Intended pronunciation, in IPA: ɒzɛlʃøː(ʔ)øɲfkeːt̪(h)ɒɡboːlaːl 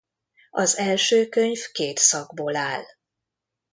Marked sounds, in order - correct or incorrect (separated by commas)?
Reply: incorrect, incorrect